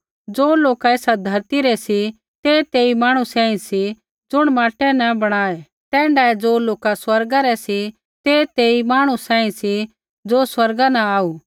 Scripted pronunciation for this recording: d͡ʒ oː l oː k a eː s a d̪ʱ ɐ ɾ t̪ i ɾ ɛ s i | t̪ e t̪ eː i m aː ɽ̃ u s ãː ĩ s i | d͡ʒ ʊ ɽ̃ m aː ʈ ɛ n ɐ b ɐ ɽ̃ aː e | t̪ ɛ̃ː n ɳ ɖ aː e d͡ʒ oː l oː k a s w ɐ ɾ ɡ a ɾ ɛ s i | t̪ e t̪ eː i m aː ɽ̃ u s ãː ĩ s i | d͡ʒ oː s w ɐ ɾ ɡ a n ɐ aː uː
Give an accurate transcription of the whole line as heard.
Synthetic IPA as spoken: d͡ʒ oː l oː k a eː s a d̪ʱ ɐ ɾ t̪ i ɾ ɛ s i | t̪ e t̪ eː i m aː ɽ̃ u s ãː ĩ s i | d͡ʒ ʊ ɽ̃ m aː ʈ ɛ n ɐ b ɐ ɽ̃ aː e | t̪ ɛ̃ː ɳ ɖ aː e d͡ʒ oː l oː k a s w ɐ ɾ ɡ a ɾ ɛ s i | t̪ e t̪ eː i m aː ɽ̃ u s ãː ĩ s i | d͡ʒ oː s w ɐ ɾ ɡ a n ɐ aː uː